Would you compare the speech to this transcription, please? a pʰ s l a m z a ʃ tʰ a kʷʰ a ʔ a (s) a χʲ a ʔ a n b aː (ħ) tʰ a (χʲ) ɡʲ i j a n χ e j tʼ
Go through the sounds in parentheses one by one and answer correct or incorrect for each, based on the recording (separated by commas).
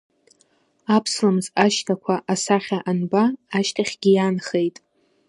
correct, incorrect, correct